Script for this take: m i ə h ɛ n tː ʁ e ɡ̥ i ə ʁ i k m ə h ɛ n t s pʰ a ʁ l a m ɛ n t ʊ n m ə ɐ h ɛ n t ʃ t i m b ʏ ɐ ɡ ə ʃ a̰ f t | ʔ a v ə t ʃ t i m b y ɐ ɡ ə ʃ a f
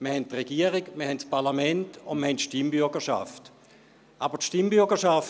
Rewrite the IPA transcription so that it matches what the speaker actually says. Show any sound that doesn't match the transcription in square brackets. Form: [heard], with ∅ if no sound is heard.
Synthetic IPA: m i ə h ɛ n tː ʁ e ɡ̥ i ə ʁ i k m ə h ɛ n t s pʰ a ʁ l a m ɛ n t ʊ n m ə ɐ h ɛ n t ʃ t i m b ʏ ɐ ɡ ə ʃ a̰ f t | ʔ a [b] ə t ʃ t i m b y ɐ ɡ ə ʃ a f